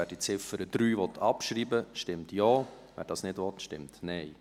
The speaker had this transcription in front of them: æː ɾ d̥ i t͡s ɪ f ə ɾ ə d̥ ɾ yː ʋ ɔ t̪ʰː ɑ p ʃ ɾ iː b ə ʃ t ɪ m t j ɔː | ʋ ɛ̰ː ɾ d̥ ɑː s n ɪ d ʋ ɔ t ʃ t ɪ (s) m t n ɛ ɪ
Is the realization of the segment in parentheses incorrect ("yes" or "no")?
yes